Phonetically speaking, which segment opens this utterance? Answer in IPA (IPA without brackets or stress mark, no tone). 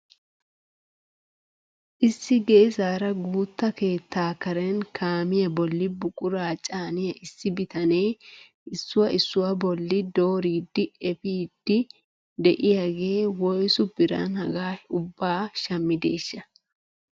ʔ